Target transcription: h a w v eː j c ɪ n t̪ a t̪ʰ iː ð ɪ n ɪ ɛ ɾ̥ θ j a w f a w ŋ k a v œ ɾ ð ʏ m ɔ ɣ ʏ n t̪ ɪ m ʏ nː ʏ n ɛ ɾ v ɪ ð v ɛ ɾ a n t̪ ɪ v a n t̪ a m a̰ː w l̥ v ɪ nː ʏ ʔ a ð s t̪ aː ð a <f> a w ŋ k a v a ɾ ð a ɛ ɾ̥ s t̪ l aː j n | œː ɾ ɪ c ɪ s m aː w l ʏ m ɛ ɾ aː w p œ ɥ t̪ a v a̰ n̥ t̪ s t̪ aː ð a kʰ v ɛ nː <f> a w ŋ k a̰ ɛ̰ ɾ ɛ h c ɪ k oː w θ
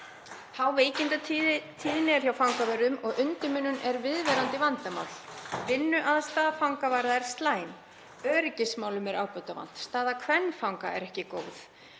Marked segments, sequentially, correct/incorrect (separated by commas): correct, correct